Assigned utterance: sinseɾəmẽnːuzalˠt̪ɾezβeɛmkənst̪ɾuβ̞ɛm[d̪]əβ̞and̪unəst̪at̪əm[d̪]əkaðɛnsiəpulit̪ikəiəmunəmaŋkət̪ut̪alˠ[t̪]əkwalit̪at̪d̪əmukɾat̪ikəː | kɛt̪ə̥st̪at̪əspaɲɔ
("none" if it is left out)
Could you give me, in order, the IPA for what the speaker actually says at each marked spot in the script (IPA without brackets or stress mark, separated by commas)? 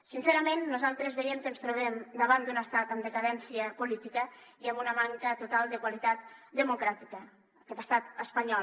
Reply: d̪, d̪, d̪